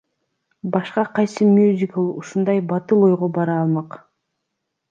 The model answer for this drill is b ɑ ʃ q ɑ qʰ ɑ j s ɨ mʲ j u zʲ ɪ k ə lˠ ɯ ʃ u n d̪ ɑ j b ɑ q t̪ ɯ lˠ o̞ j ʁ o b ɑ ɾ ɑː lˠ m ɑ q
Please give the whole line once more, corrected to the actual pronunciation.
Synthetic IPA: b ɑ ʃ q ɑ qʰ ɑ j s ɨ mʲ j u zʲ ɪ k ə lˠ u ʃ u n d̪ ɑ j b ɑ t̪ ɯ lˠ o̞ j ʁ o b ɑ ɾ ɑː lˠ m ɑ q